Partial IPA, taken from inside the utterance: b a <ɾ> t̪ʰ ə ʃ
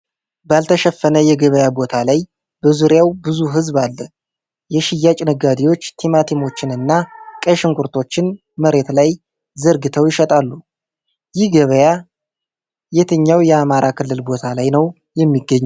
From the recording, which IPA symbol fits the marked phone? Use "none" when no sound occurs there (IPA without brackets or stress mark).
l